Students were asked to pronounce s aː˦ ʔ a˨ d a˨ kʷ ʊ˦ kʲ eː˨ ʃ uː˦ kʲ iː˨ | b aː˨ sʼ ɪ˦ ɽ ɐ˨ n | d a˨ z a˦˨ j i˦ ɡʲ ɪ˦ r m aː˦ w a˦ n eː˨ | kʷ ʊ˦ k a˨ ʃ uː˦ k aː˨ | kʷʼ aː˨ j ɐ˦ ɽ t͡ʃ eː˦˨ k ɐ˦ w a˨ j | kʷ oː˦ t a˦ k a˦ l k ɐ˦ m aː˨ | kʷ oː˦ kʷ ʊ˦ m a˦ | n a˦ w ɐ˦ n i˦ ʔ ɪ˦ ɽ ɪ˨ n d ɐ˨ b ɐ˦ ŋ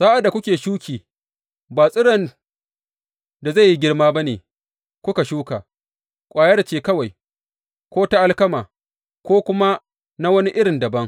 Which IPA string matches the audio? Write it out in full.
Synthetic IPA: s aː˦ ʔ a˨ d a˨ kʷ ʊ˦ kʲ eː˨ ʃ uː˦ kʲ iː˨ | b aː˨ sʼ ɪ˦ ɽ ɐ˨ n | d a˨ z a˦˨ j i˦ ɡʲ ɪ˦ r m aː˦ b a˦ n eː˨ | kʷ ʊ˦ k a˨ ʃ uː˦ k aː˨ | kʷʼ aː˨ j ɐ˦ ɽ t͡ʃ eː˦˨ k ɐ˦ w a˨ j | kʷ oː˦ t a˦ ʔ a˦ l k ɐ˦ m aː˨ | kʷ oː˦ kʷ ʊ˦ m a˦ | n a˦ w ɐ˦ n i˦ ʔ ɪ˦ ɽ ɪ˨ n d ɐ˨ b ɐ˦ ŋ